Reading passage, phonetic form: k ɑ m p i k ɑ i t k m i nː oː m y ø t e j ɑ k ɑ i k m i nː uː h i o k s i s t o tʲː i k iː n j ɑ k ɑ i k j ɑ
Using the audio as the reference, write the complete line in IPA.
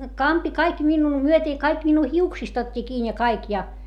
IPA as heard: k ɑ m p i k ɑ i k m i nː uː m y ø t e j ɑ k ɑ i k m i nː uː h i u k s i s t o tʲː i k iː n j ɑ k ɑ i k j ɑ